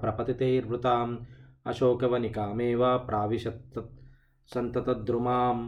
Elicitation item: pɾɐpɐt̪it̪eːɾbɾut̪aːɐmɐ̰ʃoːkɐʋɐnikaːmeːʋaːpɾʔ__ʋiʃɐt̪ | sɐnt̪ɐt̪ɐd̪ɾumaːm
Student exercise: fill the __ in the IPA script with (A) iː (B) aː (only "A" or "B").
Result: B